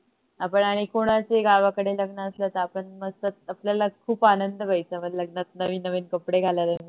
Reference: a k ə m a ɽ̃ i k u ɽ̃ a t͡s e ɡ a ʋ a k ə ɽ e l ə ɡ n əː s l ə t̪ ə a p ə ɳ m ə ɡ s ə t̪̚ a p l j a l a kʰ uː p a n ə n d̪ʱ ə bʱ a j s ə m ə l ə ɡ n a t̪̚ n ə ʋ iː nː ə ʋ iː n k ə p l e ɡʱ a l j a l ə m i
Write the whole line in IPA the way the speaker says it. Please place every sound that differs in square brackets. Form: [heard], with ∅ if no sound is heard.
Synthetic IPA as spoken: a [p] ə [ɳ] a ɽ̃ i k [o] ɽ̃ a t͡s e ɡ a ʋ a k ə ɽ e l ə ɡ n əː s l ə t̪ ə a p ə ɳ m ə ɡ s ə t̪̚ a p l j a l a kʰ uː p a n ə n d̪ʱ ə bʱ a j [t͡s] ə m ə l ə ɡ n a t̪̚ n ə ʋ iː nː ə ʋ iː n k ə p [ɽ] e ɡʱ a l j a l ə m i

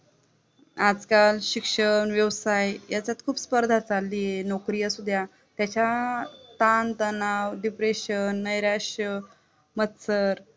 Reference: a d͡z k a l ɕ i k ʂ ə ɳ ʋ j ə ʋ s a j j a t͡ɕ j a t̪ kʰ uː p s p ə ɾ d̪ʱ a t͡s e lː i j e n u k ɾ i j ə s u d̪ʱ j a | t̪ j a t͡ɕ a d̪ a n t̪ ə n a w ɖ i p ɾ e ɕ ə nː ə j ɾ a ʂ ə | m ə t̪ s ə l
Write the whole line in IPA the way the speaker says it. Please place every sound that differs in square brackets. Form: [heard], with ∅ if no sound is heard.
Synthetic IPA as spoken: a d͡z k a l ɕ i k ʂ ə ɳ ʋ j ə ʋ s a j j a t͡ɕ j a t̪ kʰ uː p s p ə ɾ d̪ʱ a t͡s [a] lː i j e n [o] k ɾ i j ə s u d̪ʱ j a | t̪ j a t͡ɕ a [t̪] a n t̪ ə n a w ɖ i p ɾ e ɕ ə nː ə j ɾ a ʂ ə | m ə t̪ s ə [ɾ]

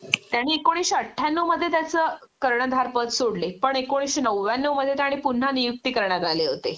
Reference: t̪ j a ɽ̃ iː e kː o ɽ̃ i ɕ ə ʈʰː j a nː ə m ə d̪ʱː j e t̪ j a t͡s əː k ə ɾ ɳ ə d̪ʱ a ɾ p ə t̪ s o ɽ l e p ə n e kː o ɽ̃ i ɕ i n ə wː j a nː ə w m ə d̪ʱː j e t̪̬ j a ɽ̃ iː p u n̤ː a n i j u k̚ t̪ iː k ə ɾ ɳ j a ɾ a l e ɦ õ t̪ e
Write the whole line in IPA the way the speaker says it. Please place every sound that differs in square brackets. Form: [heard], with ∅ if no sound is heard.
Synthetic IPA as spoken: t̪ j a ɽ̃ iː e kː o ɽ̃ i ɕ ə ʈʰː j a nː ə m ə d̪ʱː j e t̪ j a t͡s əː k ə ɾ ɳ ə d̪ʱ a ɾ p ə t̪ s o ɽ l e p ə [ɳ] e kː o ɽ̃ i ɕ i n ə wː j a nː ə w m ə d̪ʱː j e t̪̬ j a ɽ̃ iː p u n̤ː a n i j u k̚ t̪ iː k ə ɾ ɳ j a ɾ a l e ɦ [o] t̪ e

